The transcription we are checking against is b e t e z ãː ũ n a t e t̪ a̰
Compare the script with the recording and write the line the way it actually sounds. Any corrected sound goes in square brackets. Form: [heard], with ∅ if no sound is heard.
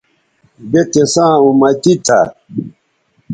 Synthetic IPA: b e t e [s] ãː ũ [m] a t [i] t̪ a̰